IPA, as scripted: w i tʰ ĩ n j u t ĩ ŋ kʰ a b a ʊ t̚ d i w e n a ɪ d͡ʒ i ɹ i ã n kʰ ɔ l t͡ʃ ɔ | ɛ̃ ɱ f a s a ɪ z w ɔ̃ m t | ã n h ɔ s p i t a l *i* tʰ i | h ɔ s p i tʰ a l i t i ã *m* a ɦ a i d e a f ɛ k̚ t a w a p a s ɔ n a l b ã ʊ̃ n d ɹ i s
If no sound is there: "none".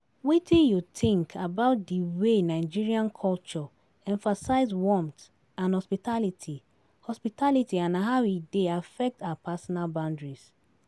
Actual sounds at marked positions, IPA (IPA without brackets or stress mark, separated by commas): i, n